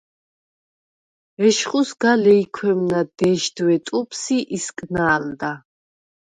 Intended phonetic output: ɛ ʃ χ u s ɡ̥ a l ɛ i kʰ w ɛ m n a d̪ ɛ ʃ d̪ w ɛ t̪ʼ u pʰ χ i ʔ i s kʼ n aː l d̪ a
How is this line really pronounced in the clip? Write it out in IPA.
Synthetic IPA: ɛ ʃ χ u s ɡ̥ a l ɛ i kʰ w ɛ m n a d̪ ɛ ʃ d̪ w ɛ t̪ʼ u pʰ s i ʔ i s kʼ n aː l d̪ a